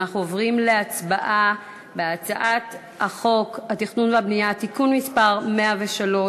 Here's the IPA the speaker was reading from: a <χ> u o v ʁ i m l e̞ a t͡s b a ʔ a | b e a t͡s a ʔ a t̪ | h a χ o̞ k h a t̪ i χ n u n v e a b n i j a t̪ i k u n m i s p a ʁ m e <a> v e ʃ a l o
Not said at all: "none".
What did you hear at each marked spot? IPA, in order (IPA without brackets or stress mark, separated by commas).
χ, a